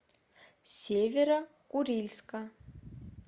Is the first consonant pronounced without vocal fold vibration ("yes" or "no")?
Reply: yes